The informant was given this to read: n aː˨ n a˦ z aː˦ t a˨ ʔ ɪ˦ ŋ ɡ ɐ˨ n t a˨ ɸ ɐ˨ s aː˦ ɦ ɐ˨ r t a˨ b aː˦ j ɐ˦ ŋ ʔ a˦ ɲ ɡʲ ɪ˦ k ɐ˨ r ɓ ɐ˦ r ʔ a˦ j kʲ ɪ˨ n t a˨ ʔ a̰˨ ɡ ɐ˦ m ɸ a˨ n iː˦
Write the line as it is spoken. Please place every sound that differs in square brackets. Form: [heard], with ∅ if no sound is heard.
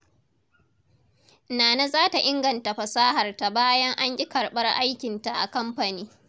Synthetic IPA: n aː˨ n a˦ z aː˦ t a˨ ʔ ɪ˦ ŋ ɡ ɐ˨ n t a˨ ɸ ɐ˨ s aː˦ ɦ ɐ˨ r t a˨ b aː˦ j ɐ˦ ŋ ʔ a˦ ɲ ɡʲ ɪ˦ k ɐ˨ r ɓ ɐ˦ r ʔ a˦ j kʲ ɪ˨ n t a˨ ʔ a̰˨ [k] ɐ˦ m ɸ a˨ n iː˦